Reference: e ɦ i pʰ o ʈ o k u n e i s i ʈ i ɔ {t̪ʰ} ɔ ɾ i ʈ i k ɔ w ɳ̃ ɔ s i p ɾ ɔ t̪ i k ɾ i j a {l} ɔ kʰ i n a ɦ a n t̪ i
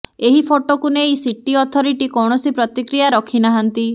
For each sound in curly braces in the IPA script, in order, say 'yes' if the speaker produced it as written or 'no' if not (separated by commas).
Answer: yes, no